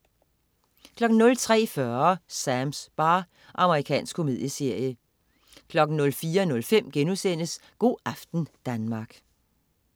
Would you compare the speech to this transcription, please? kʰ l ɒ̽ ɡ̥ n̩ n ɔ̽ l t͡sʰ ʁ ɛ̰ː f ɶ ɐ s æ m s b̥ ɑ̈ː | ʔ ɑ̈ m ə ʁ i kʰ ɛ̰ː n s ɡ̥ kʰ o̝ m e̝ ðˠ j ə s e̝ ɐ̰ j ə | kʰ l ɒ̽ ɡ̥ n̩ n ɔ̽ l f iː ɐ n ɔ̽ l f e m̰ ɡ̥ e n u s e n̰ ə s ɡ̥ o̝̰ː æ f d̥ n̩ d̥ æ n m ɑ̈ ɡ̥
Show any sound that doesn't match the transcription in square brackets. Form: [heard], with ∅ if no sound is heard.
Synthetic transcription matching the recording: kʰ l ɒ̽ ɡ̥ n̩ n ɔ̽ l t͡sʰ ʁ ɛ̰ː f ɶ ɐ s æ m s b̥ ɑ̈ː | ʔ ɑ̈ m ə ʁ i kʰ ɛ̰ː n s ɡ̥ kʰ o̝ m e̝ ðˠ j ə s e̝ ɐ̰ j ə | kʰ l ɒ̽ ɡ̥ n̩ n ɔ̽ l f iː ɐ n ɔ̽ l f e m̰ ɡ̥ e n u s e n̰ ə s ɡ̥ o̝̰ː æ f d̥ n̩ d̥ æ n m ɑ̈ ɡ̥

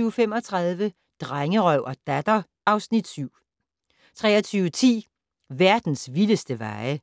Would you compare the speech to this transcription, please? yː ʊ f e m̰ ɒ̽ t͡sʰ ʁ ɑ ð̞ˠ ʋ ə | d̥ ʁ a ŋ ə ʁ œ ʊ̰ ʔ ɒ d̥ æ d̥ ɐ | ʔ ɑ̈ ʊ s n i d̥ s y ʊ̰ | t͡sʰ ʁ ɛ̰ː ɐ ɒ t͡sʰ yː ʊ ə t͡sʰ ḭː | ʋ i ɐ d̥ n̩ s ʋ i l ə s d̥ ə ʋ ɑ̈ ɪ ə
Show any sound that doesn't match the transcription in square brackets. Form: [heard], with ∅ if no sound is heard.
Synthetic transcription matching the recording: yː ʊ f e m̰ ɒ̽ t͡sʰ ʁ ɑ ð̞ˠ ʋ ə | d̥ ʁ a ŋ ə ʁ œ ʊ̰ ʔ ɒ d̥ æ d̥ ɐ | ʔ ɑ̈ ʊ s n i d̥ s y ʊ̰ | t͡sʰ ʁ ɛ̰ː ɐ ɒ t͡sʰ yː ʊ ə t͡sʰ ḭː | ʋ [æ] ɐ d̥ n̩ s ʋ i l ə s d̥ ə ʋ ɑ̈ ɪ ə

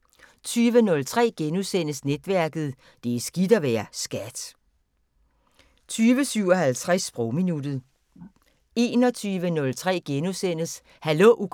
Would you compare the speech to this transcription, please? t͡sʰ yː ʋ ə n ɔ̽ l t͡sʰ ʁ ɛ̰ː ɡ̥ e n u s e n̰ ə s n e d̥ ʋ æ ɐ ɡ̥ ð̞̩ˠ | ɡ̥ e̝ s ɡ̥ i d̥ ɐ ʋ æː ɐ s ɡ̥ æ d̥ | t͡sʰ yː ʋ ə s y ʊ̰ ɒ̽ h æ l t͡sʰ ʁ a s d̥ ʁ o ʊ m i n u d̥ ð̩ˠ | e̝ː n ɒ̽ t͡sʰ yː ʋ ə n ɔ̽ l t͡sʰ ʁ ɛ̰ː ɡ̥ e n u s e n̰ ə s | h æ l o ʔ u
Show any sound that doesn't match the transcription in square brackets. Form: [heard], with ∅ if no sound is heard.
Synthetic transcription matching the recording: t͡sʰ yː ʋ ə n ɔ̽ l t͡sʰ ʁ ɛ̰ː ɡ̥ e n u s e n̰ ə s n e d̥ ʋ æ ɐ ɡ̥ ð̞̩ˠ | [d̥] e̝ s ɡ̥ i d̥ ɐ ʋ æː ɐ s ɡ̥ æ d̥ | t͡sʰ yː ʋ ə s y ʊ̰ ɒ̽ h æ l t͡sʰ ʁ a s [b̥] ʁ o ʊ m i n u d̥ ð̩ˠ | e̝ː n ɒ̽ t͡sʰ yː ʋ ə n ɔ̽ l t͡sʰ ʁ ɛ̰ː ɡ̥ e n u s e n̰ ə s | h æ l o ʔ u

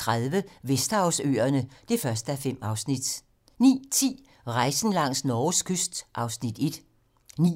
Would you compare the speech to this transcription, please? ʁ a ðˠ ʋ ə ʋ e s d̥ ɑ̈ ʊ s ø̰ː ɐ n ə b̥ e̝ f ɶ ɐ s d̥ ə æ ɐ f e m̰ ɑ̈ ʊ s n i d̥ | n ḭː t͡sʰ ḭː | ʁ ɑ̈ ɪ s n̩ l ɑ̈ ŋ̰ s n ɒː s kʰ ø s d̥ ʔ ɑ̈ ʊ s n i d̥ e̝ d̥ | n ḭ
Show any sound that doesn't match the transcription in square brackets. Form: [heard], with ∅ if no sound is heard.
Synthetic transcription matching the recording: ʁ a ðˠ ʋ ə ʋ e s d̥ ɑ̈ ʊ s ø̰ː ɐ n ə [d̥] e̝ f ɶ ɐ s d̥ ə æ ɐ f e m̰ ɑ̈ ʊ s n i d̥ | n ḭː t͡sʰ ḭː | ʁ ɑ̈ ɪ s n̩ l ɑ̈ ŋ̰ s n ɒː s kʰ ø s d̥ ʔ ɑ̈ ʊ s n i d̥ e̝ d̥ | n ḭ

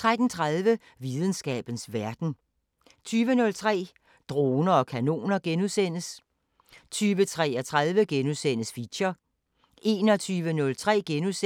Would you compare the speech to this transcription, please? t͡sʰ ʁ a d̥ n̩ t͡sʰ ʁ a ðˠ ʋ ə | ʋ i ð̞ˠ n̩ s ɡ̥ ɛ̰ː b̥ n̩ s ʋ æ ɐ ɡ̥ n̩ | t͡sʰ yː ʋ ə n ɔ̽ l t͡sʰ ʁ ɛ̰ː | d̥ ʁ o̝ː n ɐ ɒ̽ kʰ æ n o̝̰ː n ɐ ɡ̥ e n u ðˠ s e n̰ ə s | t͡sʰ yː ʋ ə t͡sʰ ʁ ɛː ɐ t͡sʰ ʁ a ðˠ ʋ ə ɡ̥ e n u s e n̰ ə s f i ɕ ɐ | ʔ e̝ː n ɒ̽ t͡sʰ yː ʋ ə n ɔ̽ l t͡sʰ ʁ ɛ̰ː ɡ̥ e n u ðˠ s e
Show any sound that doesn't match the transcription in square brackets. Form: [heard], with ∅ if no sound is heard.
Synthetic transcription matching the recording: t͡sʰ ʁ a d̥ n̩ t͡sʰ ʁ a ðˠ ʋ ə | ʋ i ð̞ˠ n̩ s ɡ̥ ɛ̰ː b̥ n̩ s ʋ æ ɐ [d̥] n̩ | t͡sʰ yː ʋ ə n ɔ̽ l t͡sʰ ʁ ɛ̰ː | d̥ ʁ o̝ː n ɐ ɒ̽ kʰ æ n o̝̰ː n ɐ ɡ̥ e n u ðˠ s e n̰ ə s | t͡sʰ yː ʋ ə t͡sʰ ʁ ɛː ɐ t͡sʰ ʁ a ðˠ ʋ ə ɡ̥ e n u s e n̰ ə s f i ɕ ɐ | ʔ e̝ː n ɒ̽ t͡sʰ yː ʋ ə n ɔ̽ l t͡sʰ ʁ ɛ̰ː ɡ̥ e n u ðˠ s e

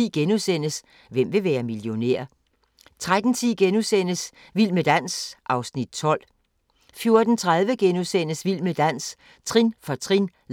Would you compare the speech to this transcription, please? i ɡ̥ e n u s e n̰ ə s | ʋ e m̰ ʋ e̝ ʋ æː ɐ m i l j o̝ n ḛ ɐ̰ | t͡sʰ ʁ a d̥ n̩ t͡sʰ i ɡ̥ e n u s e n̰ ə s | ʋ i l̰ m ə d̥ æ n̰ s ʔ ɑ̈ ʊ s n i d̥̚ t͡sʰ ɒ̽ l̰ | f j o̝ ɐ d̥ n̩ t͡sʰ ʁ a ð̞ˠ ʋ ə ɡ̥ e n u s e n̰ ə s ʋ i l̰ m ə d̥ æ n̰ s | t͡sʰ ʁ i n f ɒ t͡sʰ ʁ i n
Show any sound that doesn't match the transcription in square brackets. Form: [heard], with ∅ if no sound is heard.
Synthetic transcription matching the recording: i ɡ̥ e n u s e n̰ ə s | ʋ e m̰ ʋ e̝ ʋ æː ɐ m i l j o̝ n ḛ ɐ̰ | t͡sʰ ʁ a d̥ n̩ t͡sʰ i ɡ̥ e n u s e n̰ ə s | ʋ i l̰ m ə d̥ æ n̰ s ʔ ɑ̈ ʊ s n i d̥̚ t͡sʰ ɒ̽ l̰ | f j o̝ ɐ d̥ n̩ t͡sʰ ʁ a ð̞ˠ ʋ ə ɡ̥ e n u s e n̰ ə s ʋ i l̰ m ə d̥ æ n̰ s | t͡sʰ ʁ i n f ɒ t͡sʰ ʁ i n

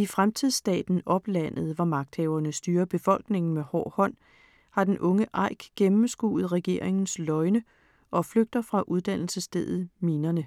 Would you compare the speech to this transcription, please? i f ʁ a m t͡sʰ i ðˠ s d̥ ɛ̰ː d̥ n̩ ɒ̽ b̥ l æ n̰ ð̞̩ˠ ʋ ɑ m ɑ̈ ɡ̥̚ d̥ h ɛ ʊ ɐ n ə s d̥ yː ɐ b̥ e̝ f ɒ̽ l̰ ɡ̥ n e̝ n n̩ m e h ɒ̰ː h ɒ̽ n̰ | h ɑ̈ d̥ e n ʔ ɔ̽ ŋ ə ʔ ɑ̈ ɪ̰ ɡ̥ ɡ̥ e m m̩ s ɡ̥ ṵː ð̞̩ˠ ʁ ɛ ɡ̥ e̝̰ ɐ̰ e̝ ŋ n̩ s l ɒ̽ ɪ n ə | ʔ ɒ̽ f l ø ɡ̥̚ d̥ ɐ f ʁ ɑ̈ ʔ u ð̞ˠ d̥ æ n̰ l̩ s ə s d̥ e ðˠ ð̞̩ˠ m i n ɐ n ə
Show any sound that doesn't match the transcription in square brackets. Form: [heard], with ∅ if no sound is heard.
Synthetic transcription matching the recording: i f ʁ a m t͡sʰ i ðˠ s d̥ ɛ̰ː d̥ n̩ ɒ̽ b̥ l æ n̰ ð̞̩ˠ ʋ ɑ m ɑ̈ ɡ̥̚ d̥ h ɛ ʊ ɐ n ə s d̥ yː ɐ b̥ e̝ f ɒ̽ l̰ ɡ̥ n e̝ [ŋ] n̩ m e h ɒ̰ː h ɒ̽ n̰ | h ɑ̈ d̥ e n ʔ ɔ̽ ŋ ə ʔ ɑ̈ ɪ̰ ɡ̥ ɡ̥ e m m̩ s ɡ̥ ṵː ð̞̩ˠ ʁ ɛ ɡ̥ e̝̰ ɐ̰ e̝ ŋ n̩ s l ɒ̽ ɪ n ə | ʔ ɒ̽ f l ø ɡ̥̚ d̥ ɐ f ʁ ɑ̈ ʔ u ð̞ˠ d̥ æ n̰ l̩ s ə s d̥ e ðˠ ð̞̩ˠ m i n ɐ n ə

